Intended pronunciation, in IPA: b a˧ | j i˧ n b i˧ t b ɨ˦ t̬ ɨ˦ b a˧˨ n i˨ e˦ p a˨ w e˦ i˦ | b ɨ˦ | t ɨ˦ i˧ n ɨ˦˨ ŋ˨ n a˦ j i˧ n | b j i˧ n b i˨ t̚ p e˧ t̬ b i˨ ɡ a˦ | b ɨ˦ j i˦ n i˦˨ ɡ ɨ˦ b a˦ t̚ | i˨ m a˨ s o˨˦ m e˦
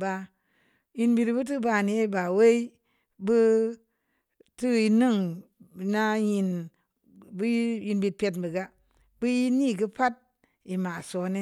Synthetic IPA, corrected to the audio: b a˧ | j i˧ n b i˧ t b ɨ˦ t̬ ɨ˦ b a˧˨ n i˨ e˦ b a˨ w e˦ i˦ | b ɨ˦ | t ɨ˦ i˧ n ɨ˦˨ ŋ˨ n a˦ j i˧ n | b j i˧ n b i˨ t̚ p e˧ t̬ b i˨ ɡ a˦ | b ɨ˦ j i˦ n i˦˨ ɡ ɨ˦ p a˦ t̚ | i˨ m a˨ s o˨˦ n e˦